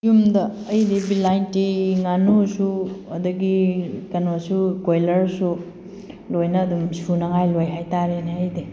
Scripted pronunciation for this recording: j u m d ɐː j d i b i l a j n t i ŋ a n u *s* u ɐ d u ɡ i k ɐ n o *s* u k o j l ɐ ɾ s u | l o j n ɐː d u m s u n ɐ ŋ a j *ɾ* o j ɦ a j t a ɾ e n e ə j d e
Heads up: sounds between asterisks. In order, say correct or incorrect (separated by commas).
correct, correct, incorrect